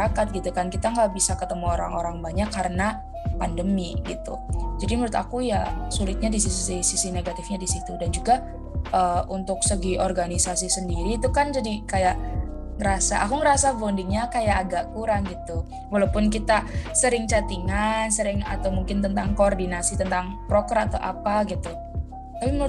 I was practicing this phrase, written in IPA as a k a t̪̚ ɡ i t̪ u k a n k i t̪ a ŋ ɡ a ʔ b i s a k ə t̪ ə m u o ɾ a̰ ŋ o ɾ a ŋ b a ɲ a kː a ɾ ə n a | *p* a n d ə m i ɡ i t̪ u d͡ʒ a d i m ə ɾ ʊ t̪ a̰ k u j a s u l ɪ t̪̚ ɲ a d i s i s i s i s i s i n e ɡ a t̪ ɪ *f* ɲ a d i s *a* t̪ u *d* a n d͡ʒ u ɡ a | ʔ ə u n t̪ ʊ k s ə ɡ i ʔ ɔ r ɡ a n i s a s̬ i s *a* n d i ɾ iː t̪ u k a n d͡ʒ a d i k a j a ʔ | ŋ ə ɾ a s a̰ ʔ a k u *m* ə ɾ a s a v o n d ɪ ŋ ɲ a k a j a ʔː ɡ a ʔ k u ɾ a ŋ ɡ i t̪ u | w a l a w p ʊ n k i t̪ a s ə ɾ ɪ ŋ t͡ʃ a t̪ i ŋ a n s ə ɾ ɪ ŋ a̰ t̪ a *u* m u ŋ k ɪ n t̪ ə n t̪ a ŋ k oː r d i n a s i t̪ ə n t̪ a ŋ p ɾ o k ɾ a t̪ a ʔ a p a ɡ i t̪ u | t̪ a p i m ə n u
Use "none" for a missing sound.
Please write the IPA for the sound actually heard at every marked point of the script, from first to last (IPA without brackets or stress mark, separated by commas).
p, f, i, d, ə, ŋ, w